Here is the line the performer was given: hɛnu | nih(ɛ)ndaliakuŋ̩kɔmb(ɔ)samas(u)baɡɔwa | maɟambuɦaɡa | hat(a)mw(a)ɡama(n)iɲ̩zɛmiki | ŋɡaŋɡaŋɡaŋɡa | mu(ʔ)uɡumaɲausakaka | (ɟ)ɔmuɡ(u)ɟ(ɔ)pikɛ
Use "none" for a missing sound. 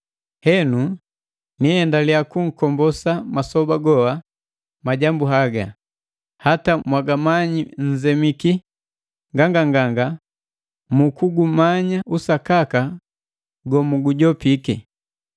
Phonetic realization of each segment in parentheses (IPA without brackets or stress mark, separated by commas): ɛ, ɔ, ɔ, a, a, ɲ, k, ɡ, u, ɔ